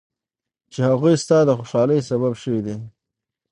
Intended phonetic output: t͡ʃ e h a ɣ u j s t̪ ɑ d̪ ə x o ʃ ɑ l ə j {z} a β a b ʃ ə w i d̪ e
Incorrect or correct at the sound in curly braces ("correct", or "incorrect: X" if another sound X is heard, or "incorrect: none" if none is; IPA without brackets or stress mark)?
incorrect: s